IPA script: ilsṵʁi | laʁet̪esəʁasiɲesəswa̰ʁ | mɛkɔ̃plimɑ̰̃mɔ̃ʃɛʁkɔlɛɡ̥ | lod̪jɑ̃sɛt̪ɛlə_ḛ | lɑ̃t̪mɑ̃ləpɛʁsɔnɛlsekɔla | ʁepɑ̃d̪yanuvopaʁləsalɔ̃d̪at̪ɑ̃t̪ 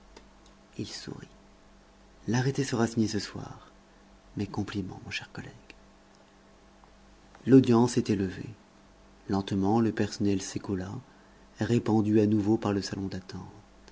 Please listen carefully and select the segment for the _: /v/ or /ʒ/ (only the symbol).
v